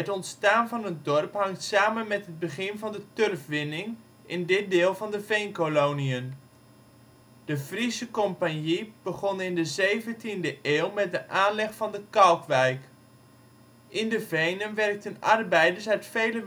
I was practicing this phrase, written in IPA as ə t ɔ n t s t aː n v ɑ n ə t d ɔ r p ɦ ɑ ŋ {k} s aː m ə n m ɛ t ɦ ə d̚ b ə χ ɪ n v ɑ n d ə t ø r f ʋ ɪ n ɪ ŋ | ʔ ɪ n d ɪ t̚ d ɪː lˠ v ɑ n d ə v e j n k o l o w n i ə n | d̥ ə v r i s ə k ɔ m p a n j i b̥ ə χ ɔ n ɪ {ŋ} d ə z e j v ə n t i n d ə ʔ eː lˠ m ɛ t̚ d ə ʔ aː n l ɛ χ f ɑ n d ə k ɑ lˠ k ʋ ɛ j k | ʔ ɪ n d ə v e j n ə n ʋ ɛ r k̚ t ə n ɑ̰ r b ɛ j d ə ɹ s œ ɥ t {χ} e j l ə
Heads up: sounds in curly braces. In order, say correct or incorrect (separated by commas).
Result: incorrect, incorrect, incorrect